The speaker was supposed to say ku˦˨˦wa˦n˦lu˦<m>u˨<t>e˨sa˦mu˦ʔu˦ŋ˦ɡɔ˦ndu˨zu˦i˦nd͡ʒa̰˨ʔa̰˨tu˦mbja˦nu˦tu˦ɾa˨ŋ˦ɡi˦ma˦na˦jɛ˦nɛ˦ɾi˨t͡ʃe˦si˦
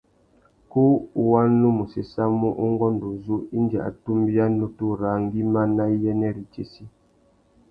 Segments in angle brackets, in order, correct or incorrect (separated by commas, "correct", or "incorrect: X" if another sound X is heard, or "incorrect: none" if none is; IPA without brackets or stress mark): correct, incorrect: s